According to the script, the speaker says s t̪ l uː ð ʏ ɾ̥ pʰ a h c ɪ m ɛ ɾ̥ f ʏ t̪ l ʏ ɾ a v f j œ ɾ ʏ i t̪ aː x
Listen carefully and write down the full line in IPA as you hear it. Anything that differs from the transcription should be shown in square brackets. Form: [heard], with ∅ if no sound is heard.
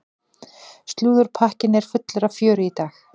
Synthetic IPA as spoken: s t̪ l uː ð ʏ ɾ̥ pʰ a h c ɪ [n] ɛ ɾ̥ f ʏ t̪ l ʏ ɾ a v f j [œː] ɾ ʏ i t̪ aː x